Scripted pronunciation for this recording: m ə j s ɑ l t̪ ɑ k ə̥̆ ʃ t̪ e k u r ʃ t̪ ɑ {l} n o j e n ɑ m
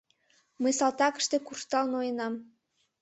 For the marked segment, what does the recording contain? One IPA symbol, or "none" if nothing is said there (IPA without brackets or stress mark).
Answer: l